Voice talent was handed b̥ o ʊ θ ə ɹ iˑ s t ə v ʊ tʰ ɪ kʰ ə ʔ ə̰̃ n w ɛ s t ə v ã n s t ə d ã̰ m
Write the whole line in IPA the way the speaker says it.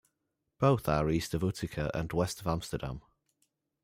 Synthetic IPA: b̥ o ʊ θ ə ɹ iˑ s t ə v ʊ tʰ ɪ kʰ ə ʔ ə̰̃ n w ɛ s t ə v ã m s t ə d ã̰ m